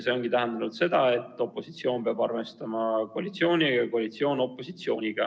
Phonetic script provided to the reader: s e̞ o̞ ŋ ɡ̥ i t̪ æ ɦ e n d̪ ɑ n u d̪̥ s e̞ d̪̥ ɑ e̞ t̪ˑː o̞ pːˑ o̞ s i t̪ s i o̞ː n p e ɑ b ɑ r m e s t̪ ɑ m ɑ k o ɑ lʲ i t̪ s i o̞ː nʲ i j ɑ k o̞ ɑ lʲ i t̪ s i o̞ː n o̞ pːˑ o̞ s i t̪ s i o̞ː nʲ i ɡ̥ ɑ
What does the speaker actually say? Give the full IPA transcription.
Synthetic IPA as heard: s e̞ o̞ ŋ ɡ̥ i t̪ æ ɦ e n d̪ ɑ n u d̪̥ s e̞ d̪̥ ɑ e̞ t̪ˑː o̞ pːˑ o̞ s i t̪ s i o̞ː n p e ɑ b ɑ r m e s t̪ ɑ m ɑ k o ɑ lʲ i t̪ s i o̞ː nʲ i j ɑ k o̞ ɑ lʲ i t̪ s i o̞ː n o̞ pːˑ o̞ s i t̪ s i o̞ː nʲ i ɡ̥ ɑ